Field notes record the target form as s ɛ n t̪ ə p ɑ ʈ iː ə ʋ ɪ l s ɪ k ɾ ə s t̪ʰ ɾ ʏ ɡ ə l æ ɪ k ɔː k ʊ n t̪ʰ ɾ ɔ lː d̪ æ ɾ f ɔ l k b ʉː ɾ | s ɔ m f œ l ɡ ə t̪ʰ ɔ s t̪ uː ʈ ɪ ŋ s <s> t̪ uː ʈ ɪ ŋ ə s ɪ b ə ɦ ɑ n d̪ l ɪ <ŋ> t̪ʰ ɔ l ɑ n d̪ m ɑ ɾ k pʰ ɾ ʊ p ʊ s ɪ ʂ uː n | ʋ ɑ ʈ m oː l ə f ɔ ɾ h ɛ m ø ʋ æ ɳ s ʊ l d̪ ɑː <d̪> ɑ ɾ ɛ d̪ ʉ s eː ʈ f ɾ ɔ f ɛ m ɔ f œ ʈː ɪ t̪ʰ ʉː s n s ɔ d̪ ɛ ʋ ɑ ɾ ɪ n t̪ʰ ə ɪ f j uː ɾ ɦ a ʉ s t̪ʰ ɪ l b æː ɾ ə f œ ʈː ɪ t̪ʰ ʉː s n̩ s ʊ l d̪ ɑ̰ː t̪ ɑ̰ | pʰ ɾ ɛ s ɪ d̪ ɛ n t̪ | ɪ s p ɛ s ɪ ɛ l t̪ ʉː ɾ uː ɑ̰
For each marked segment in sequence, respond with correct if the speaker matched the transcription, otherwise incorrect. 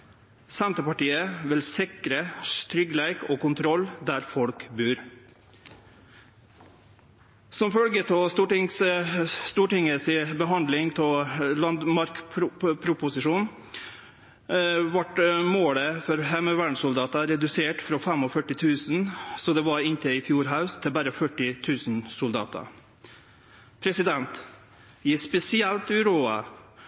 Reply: correct, correct, incorrect

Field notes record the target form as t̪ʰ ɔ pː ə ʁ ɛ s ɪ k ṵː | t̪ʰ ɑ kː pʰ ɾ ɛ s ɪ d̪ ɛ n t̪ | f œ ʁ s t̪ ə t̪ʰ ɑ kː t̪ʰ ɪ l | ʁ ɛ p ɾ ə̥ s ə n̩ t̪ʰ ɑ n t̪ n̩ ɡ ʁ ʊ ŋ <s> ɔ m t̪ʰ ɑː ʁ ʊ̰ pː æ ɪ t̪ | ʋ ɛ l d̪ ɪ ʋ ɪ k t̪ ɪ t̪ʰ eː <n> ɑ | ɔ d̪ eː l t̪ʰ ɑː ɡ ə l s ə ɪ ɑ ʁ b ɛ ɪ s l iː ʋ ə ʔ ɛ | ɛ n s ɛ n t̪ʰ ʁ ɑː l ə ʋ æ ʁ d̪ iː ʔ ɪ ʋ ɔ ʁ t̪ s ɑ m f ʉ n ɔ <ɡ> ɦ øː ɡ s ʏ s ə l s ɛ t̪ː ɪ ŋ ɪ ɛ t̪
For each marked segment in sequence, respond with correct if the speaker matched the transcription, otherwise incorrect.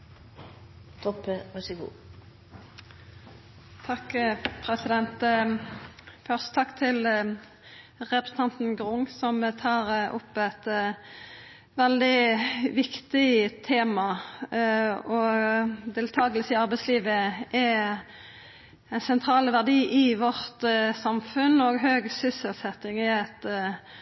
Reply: correct, incorrect, correct

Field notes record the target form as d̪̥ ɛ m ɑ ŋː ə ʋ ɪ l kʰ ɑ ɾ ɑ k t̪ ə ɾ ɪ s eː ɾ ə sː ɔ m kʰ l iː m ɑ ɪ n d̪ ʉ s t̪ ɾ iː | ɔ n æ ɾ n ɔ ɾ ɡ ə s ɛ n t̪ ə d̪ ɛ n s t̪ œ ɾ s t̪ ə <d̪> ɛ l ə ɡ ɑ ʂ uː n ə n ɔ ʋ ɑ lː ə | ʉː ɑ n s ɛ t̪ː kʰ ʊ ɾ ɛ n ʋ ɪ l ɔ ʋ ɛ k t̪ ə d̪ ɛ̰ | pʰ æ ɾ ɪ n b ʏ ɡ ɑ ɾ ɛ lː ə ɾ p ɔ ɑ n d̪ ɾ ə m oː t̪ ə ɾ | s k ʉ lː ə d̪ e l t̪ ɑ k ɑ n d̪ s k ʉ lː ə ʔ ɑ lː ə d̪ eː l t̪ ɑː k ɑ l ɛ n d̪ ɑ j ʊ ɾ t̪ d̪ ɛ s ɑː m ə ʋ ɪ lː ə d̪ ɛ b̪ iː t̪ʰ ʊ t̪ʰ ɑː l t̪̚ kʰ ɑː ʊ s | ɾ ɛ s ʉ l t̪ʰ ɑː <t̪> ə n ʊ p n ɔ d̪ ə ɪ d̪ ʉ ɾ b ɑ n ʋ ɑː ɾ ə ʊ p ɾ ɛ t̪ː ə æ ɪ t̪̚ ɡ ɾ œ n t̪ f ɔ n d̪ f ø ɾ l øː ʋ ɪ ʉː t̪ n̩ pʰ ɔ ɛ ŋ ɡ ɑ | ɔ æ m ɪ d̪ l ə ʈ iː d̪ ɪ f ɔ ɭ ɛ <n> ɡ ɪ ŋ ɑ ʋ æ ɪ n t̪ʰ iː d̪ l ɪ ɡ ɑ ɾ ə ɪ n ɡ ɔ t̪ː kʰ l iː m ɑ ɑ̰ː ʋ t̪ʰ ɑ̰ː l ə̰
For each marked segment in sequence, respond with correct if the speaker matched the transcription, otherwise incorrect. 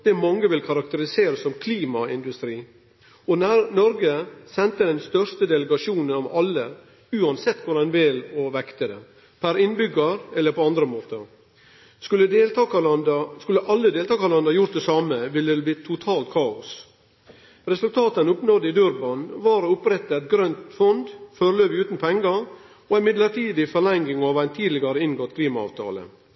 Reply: correct, correct, incorrect

